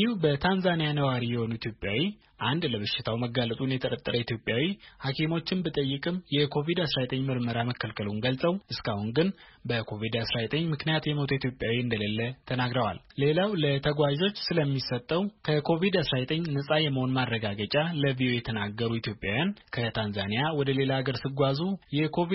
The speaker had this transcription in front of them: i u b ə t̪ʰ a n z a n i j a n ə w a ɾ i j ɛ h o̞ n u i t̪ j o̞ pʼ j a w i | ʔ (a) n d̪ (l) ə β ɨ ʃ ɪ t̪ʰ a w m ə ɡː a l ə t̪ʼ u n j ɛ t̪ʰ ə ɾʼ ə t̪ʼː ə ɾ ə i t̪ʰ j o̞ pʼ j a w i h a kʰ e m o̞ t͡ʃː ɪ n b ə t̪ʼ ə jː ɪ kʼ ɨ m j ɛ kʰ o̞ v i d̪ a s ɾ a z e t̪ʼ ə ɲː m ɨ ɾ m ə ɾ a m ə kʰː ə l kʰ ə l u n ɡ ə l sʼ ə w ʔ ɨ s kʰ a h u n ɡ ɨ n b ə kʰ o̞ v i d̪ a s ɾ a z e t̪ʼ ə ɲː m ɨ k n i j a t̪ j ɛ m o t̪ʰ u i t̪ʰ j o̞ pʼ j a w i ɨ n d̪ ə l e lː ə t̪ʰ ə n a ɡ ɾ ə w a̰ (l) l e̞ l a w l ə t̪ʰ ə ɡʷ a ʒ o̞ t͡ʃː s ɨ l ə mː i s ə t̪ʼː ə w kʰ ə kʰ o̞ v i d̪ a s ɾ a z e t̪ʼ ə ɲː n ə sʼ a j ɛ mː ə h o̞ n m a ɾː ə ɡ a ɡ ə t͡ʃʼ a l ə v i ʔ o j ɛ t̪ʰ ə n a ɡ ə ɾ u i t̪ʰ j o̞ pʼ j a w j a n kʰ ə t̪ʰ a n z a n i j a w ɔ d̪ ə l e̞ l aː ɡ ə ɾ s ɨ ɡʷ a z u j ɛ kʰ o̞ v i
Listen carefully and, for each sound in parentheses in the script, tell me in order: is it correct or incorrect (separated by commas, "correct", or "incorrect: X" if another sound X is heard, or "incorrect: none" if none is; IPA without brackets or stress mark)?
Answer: correct, correct, correct